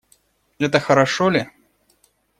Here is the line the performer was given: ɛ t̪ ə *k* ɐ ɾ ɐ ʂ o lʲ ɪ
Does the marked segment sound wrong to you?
yes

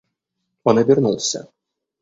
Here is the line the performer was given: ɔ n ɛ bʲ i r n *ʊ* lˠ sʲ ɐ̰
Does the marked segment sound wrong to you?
yes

